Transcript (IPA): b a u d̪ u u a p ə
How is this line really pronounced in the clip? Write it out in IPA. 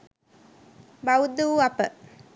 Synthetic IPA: b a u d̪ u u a p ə